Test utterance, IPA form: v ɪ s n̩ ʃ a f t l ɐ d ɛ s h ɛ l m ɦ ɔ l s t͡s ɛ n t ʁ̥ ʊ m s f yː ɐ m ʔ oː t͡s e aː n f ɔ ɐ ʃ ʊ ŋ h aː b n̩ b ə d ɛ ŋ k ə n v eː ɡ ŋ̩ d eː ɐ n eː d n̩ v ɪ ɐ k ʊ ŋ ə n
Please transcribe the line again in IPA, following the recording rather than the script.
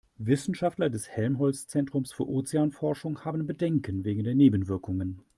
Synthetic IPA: v ɪ s n̩ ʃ a f t l ɐ d ɛ s h ɛ l m ɦ ɔ l s t͡s ɛ n t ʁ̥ ʊ m s f yː ɐ ʔ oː t͡s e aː n f ɔ ɐ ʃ ʊ ŋ h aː b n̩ b ə d ɛ ŋ k ə n v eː ɡ ŋ̩ d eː ɐ n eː b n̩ v ɪ ɐ k ʊ ŋ ə n